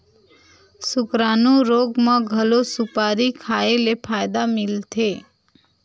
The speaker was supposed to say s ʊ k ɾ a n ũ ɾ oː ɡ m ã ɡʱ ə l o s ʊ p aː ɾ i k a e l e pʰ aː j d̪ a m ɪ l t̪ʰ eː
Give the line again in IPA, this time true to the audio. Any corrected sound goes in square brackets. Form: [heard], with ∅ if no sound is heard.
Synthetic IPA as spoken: s ʊ k ɾ a n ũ ɾ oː ɡ m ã ɡʱ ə l o s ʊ p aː ɾ i [kʰ] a e l e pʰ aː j d̪ a m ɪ l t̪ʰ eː